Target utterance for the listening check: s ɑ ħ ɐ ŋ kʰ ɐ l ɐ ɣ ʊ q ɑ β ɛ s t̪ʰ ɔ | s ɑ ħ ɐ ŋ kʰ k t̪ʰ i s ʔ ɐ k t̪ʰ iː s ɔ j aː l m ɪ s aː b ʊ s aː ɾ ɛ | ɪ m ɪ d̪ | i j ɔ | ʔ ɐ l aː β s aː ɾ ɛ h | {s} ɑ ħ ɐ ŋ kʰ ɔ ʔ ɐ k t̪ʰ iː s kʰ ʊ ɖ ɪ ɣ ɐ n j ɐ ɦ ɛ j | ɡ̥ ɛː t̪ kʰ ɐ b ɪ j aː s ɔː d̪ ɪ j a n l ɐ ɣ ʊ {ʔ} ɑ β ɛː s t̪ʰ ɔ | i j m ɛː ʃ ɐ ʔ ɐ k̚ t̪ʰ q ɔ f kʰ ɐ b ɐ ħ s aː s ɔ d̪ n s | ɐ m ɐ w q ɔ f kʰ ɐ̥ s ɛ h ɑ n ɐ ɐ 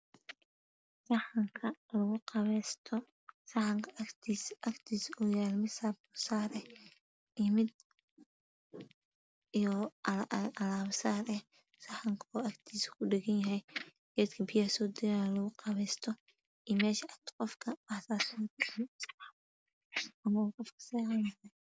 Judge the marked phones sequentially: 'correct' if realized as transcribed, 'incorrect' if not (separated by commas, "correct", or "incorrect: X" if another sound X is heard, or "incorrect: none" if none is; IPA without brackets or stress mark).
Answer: correct, incorrect: q